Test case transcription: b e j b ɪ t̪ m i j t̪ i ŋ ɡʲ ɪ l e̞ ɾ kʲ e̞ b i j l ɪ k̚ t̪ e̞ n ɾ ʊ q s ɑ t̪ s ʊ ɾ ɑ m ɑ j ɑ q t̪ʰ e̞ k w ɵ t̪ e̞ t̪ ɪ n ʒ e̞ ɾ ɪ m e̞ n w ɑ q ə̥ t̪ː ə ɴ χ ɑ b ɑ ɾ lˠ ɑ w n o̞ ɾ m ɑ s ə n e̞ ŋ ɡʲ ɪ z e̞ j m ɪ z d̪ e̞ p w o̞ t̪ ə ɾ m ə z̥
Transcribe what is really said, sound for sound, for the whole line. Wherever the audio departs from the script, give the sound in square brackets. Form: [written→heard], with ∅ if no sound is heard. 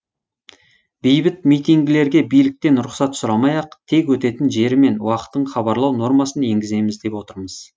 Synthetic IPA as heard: b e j b ɪ t̪ m i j t̪ i ŋ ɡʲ ɪ l e̞ ɾ [kʲ→ɡʲ] e̞ b i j l ɪ k̚ t̪ e̞ n ɾ ʊ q s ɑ t̪ s ʊ ɾ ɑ m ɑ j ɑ q t̪ʰ e̞ k w ɵ t̪ e̞ t̪ ɪ n ʒ e̞ ɾ ɪ m e̞ n w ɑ q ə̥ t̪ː ə ɴ χ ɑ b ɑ ɾ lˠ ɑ w n o̞ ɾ m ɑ s ə n e̞ ŋ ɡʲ ɪ z e̞ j m ɪ z d̪ e̞ p w o̞ t̪ ə ɾ m ə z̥